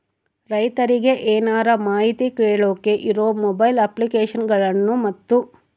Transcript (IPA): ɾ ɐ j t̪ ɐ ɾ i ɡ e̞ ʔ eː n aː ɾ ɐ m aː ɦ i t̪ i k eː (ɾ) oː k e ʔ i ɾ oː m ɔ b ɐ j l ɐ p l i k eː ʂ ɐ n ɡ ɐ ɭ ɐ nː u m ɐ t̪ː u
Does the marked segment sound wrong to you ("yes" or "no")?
yes